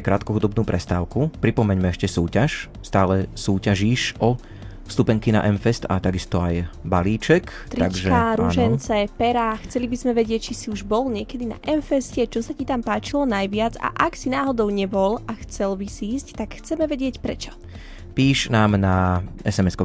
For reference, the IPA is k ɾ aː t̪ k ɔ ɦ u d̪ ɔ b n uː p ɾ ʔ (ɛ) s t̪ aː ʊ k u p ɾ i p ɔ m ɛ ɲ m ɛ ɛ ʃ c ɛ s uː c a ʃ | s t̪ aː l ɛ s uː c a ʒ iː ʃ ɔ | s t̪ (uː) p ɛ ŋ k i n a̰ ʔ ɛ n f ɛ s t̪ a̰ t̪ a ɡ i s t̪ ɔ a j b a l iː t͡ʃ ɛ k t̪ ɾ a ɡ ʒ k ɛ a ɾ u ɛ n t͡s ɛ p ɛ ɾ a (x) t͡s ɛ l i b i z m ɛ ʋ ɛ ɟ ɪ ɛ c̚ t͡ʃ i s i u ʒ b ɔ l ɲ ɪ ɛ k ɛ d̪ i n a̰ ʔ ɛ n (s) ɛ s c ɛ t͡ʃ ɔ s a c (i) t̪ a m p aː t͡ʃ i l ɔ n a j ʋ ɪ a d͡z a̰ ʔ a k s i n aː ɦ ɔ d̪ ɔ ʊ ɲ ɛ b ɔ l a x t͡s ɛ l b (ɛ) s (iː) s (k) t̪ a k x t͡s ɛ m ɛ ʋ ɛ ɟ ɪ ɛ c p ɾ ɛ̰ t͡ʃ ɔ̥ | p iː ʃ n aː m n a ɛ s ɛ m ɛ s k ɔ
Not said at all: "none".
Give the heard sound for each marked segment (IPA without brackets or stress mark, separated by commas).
ɛ, u, x, f, i, i, iː, c